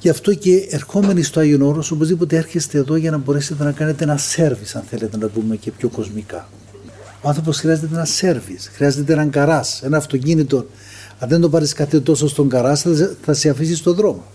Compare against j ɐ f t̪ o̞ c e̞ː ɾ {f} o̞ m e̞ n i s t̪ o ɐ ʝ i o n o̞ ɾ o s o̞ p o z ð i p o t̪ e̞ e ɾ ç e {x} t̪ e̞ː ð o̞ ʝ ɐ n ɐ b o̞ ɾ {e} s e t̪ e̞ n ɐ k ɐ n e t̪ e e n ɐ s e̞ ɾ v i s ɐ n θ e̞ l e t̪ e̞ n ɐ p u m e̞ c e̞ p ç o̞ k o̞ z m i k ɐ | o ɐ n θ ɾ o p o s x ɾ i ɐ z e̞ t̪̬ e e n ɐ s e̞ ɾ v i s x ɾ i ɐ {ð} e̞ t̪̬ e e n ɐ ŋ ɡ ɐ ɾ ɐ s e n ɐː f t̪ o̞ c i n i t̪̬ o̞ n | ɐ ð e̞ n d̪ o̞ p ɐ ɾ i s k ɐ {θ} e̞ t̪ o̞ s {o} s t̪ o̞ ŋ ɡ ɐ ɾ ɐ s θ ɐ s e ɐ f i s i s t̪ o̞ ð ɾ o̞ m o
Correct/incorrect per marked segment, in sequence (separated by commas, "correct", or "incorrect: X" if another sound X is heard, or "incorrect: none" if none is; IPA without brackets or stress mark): incorrect: x, incorrect: s, correct, incorrect: z, correct, correct